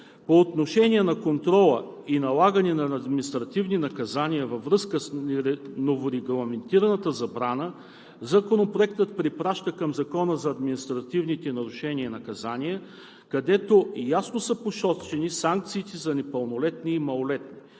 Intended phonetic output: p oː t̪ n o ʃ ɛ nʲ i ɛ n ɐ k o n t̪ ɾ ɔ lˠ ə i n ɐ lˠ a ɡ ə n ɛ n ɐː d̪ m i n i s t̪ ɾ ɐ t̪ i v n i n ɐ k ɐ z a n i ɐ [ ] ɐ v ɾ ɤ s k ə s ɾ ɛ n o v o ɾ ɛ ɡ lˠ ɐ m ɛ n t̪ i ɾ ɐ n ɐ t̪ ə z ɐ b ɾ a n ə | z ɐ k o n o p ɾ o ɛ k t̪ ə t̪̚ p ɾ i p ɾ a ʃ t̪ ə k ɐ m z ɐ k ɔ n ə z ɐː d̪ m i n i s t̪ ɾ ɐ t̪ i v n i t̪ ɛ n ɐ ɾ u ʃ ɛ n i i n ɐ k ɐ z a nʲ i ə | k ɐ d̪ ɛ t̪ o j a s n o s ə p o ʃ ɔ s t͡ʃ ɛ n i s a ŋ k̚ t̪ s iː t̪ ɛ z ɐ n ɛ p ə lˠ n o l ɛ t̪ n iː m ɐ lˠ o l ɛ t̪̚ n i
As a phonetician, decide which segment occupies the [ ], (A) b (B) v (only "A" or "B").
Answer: B